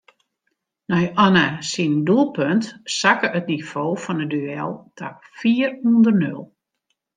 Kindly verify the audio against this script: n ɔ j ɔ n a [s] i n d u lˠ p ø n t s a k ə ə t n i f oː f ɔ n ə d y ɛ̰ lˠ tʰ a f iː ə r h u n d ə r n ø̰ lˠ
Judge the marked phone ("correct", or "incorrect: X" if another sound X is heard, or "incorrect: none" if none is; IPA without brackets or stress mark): correct